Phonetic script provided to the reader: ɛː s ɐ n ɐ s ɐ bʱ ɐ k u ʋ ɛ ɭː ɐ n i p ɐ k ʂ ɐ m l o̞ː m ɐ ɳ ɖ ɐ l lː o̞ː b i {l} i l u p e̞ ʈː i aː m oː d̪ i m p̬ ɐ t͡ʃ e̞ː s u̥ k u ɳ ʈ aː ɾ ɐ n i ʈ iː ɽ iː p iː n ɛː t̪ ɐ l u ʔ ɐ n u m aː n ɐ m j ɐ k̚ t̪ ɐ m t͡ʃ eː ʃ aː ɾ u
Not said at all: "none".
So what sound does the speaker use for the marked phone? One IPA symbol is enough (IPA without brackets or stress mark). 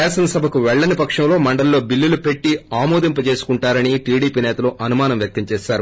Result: lː